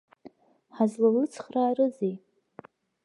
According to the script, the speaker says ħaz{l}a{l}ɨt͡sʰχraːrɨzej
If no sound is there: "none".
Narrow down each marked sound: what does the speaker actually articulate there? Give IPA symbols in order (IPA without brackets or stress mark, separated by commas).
l, l